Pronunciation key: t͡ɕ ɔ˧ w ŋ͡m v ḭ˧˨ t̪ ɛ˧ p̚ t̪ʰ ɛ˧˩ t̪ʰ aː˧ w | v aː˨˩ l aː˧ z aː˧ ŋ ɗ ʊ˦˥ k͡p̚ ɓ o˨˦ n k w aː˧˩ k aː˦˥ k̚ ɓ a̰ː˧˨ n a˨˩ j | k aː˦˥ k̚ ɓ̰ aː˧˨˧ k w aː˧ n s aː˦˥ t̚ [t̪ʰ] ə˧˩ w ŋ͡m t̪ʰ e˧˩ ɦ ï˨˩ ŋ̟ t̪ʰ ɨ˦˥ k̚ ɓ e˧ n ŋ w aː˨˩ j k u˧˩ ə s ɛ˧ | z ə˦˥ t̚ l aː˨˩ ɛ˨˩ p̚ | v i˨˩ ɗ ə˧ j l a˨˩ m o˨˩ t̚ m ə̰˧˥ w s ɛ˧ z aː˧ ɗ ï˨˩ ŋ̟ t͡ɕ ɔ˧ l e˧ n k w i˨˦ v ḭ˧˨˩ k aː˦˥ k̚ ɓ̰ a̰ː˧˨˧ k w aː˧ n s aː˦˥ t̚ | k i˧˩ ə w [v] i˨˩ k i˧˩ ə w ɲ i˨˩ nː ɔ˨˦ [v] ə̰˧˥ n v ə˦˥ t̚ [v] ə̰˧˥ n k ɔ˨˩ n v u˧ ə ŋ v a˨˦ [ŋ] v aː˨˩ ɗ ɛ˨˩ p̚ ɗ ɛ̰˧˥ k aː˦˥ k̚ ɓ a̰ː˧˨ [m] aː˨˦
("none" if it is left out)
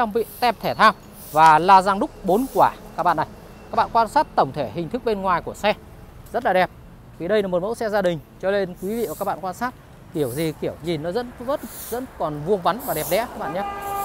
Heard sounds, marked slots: t̪, z, z, z, n, ɲ

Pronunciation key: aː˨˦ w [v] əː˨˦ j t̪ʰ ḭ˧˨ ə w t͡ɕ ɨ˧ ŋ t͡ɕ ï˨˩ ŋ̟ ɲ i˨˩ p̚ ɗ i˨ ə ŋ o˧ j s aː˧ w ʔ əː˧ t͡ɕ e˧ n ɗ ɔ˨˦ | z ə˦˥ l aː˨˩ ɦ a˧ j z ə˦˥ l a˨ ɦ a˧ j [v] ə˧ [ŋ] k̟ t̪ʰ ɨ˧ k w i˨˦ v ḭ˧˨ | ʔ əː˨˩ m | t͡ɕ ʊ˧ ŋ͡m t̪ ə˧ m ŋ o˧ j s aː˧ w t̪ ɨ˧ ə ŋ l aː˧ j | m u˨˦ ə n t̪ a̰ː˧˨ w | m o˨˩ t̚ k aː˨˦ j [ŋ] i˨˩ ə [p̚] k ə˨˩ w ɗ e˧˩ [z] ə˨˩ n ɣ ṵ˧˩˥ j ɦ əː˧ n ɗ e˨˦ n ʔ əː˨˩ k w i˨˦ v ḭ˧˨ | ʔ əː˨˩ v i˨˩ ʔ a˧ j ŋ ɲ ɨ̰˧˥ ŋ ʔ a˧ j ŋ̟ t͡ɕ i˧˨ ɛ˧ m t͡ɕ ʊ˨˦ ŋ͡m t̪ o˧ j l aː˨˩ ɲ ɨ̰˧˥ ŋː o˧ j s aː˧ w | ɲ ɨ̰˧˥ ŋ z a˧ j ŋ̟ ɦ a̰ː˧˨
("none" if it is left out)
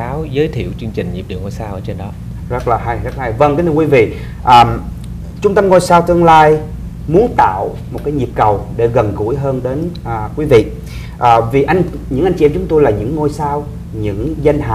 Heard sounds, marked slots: z, v, ŋ, ɲ, p̚, ɣ

